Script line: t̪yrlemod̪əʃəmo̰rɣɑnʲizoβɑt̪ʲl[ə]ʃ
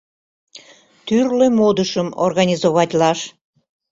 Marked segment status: incorrect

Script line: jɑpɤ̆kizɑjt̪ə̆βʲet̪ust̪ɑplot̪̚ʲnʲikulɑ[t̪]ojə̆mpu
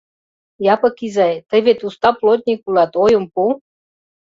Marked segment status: correct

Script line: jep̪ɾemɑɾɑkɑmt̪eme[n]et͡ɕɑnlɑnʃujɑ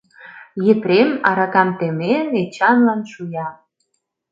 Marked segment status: correct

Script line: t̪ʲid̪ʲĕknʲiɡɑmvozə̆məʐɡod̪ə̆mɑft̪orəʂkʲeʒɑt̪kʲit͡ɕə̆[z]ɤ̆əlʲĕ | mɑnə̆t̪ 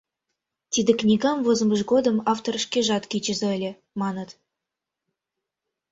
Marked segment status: correct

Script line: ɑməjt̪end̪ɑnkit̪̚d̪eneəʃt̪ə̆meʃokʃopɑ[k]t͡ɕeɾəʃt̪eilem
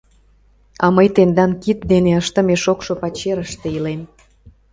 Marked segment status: incorrect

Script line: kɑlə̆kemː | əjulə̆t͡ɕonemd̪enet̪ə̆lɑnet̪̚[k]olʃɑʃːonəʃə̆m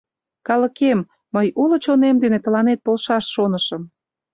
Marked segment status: incorrect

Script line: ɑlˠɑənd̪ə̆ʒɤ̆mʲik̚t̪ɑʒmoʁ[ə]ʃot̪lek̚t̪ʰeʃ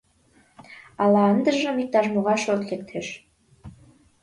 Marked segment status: incorrect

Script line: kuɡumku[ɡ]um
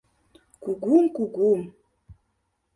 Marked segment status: correct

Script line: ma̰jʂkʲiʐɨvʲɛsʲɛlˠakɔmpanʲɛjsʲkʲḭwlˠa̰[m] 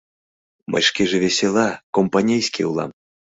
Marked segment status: correct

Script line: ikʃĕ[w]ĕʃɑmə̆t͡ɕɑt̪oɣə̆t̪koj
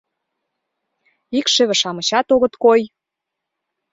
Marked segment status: incorrect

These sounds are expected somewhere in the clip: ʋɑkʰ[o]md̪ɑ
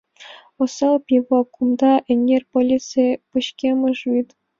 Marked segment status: incorrect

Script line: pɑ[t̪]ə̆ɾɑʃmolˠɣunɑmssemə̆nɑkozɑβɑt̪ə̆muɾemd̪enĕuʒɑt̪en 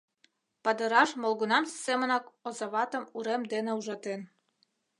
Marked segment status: incorrect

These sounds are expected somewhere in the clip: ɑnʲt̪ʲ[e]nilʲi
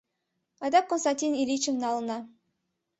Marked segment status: incorrect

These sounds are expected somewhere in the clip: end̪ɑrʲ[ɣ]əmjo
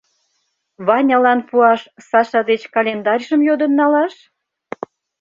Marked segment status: incorrect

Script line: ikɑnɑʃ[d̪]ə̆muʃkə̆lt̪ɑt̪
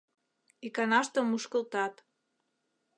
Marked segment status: incorrect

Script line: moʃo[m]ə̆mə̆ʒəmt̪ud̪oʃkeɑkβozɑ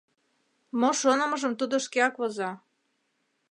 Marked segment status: incorrect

